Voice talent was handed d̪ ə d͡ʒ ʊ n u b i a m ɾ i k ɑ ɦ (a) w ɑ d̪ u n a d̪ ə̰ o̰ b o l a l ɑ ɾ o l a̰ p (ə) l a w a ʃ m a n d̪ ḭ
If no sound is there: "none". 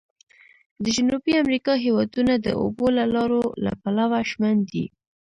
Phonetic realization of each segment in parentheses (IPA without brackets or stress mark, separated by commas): e, a